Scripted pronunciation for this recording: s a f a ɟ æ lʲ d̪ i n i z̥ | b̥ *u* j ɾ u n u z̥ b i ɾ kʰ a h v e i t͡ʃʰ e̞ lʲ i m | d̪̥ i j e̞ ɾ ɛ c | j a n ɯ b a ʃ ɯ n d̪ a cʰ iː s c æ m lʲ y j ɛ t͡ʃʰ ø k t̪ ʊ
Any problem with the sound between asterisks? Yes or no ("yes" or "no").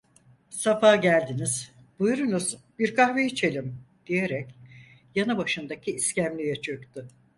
no